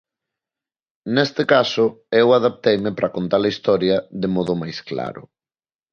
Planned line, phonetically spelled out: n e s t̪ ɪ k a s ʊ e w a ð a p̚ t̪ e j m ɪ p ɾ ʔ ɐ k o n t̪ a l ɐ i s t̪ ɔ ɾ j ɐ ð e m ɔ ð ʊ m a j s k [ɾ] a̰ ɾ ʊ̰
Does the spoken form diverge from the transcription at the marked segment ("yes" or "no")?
yes